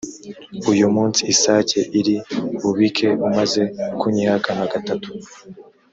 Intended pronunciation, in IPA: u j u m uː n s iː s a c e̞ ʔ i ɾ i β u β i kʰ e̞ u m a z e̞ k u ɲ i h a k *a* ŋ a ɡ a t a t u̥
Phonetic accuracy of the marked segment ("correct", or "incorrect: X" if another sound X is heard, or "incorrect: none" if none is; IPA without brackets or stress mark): correct